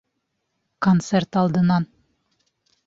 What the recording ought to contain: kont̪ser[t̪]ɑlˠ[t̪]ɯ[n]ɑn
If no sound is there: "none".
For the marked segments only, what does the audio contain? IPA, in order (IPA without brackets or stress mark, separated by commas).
t̪, d̪, n